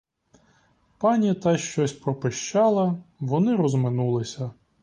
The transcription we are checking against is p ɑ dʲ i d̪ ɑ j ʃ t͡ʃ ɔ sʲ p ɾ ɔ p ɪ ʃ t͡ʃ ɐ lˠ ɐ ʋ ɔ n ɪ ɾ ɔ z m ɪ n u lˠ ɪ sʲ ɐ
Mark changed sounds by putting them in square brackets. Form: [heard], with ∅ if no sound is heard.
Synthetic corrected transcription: p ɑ [nʲ] i [t̪] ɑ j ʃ t͡ʃ ɔ sʲ p ɾ ɔ p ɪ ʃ t͡ʃ [ɑ] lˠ ɐ ʋ ɔ n ɪ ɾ ɔ z m ɪ n u lˠ ɪ sʲ ɐ